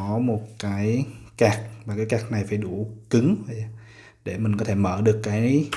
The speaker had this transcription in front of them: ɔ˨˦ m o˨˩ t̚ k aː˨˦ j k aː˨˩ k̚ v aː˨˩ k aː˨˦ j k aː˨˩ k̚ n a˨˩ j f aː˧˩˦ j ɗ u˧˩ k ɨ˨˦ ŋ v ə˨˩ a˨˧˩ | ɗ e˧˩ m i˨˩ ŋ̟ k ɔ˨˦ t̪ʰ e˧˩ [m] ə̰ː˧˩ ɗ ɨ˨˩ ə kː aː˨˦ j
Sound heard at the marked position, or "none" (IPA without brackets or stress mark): m